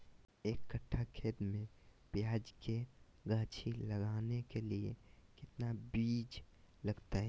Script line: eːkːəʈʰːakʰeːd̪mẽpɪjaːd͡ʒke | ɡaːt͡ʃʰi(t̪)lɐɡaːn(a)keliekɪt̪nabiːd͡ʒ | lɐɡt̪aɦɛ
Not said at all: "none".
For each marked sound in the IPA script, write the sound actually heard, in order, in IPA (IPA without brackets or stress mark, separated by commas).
none, e